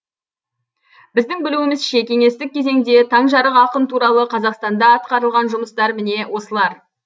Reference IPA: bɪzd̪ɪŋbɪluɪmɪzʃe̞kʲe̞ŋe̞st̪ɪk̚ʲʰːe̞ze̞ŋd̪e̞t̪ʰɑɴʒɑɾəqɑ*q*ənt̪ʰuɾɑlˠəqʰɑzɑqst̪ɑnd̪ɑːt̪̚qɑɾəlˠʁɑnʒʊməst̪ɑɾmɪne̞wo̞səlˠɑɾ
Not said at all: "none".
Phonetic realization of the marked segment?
q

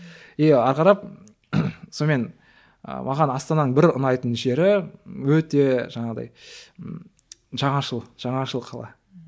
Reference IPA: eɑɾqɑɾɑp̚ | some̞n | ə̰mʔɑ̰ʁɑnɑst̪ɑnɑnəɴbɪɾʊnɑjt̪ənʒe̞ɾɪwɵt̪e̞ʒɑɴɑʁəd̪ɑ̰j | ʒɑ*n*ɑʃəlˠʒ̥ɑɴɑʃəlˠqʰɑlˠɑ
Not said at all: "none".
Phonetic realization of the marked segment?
ɴ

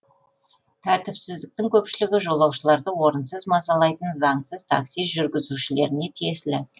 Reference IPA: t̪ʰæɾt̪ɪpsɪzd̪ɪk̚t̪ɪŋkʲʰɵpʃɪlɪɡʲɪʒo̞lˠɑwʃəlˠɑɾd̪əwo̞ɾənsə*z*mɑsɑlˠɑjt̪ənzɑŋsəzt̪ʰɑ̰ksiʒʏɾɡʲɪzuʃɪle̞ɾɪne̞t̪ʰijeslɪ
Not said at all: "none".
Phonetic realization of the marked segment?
z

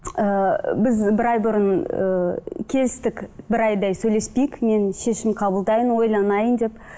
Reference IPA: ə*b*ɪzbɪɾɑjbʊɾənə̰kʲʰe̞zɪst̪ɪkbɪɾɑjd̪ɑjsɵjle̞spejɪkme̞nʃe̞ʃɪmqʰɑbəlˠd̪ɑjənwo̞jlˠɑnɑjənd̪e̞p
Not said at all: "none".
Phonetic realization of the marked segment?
b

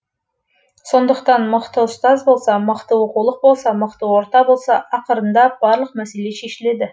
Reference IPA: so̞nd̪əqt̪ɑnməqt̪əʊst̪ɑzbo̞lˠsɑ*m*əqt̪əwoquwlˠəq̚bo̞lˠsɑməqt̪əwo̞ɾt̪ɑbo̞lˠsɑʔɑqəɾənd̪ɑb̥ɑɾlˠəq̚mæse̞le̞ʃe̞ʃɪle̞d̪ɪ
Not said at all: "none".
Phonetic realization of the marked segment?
m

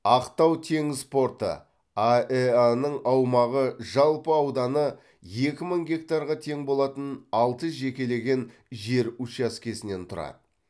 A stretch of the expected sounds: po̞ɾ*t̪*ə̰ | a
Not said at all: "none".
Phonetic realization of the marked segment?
t̪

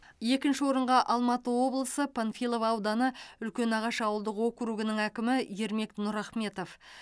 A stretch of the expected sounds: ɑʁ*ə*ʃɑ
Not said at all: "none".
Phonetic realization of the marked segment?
ɑ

